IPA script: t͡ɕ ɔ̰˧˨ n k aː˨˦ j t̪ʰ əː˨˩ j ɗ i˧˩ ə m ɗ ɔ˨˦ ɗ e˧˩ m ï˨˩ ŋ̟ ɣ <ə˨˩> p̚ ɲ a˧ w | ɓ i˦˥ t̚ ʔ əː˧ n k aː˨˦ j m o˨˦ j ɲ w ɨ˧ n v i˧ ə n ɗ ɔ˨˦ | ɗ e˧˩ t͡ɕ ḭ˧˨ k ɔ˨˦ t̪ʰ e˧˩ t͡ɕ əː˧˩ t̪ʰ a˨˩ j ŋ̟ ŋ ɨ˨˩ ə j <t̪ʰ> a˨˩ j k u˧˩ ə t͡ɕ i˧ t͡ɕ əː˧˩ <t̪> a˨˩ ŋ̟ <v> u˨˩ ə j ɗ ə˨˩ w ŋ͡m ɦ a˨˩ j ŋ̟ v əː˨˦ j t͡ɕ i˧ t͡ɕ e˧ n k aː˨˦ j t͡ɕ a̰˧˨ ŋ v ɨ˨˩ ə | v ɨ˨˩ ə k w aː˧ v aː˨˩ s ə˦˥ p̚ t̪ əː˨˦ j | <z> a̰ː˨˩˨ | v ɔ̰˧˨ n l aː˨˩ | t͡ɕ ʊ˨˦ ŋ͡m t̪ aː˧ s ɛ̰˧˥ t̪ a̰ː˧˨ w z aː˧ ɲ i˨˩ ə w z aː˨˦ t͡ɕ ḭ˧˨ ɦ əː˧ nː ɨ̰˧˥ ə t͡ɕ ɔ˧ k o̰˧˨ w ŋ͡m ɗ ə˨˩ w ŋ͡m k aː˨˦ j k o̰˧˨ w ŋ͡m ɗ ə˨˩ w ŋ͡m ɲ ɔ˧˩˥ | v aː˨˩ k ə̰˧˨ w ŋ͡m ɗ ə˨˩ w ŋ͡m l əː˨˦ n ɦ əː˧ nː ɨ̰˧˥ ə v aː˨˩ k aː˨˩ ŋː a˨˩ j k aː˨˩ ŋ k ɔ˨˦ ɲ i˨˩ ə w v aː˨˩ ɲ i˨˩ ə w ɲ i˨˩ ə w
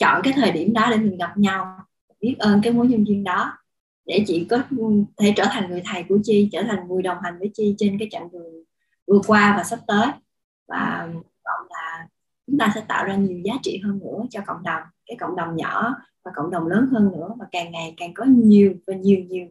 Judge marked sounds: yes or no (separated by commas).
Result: no, yes, no, yes, no